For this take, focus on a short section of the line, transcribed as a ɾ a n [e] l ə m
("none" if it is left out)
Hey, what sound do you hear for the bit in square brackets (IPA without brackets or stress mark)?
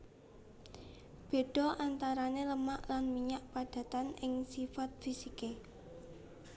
e